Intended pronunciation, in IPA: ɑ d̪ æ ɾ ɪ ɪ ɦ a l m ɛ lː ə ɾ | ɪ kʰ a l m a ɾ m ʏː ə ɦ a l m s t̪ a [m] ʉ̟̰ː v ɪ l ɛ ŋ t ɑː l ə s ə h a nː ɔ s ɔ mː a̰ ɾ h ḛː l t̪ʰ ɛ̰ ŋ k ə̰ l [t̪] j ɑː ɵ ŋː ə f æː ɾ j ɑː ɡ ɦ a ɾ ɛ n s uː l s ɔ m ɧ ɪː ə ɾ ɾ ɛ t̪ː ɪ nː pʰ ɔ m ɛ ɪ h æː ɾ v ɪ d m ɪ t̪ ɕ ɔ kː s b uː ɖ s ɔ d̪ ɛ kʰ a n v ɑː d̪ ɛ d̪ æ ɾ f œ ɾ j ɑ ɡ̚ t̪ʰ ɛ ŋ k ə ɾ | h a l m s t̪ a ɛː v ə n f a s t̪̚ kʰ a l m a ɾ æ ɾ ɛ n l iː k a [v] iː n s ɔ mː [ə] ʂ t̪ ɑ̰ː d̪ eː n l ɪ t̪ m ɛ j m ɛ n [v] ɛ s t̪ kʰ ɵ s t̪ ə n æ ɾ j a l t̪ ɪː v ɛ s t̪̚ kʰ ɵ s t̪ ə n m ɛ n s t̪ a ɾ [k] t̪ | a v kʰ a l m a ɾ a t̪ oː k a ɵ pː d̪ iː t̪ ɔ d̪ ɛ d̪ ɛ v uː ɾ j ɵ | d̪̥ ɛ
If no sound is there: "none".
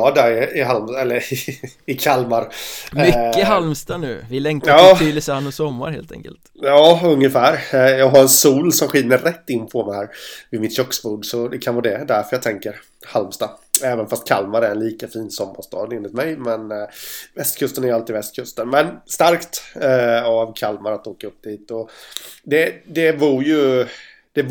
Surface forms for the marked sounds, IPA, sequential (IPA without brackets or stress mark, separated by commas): n, t̪, f, a, v, k